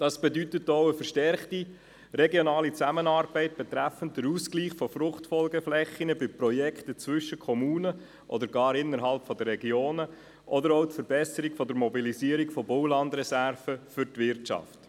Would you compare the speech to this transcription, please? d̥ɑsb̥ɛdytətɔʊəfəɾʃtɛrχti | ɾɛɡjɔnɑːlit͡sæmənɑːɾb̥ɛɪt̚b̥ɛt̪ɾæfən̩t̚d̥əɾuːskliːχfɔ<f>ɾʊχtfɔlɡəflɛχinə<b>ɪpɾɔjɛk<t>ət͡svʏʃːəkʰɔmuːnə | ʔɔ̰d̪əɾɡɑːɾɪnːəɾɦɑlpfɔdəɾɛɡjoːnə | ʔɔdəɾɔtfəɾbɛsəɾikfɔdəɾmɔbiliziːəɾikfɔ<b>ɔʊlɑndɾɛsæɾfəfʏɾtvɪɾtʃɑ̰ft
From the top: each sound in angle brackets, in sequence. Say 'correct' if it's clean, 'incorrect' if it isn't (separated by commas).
correct, correct, correct, correct